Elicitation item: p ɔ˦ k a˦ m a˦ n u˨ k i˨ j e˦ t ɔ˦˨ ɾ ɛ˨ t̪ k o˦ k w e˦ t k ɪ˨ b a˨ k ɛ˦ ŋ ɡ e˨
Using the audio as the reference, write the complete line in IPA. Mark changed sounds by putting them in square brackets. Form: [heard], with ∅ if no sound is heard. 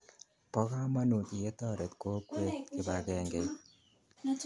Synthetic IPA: p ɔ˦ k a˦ m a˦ n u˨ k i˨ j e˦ t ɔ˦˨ ɾ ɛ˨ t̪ k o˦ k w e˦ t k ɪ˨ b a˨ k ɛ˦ ŋ ɡ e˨